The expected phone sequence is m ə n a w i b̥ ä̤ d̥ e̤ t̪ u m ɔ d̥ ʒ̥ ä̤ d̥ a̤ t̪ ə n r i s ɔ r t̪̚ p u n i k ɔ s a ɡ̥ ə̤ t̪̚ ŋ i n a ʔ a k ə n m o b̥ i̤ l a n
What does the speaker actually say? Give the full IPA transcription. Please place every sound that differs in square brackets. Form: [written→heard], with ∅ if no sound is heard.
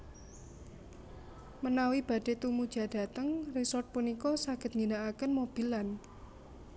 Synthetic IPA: m ə n a w i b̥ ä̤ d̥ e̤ t̪ u m [ɔ→u] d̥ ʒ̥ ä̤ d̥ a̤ t̪ ə [n→ŋ] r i s ɔ r t̪̚ p u n i k ɔ s a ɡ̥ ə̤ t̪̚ ŋ i n a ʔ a k ə n m o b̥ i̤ l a n